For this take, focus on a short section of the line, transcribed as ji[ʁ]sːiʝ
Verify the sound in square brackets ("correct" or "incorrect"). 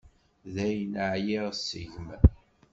correct